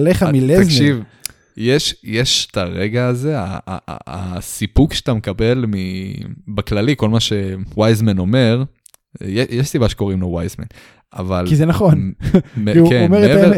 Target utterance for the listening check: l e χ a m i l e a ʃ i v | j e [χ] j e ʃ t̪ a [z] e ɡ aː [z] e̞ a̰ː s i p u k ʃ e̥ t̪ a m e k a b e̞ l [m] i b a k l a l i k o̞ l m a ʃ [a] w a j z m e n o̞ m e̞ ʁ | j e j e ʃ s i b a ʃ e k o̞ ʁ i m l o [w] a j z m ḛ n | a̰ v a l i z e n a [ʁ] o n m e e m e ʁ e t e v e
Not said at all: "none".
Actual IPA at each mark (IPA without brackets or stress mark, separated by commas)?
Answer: ʃ, ʁ, z, m, e, w, χ